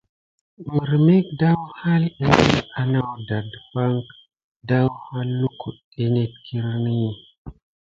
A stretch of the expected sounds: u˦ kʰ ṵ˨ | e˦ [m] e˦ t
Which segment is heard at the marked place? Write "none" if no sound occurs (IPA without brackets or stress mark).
n